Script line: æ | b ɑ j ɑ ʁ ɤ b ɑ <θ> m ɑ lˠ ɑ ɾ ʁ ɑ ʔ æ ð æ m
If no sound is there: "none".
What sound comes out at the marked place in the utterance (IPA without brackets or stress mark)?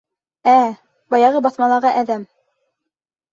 θ